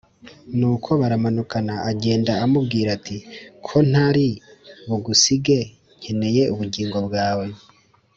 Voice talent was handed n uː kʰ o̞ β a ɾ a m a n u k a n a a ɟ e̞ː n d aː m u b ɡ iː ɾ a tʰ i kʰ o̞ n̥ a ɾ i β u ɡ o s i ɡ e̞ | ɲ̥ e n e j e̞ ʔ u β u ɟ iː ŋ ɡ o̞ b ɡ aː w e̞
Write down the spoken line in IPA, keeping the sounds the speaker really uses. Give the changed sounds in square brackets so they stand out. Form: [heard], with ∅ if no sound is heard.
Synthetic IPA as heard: n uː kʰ o̞ β a ɾ a m a n u k a n a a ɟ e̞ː n d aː m u b ɡ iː ɾ a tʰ i kʰ o̞ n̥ a ɾ i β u ɡ [u] s i ɡ e̞ | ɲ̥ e n e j e̞ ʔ u β u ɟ iː ŋ ɡ o̞ b ɡ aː w e̞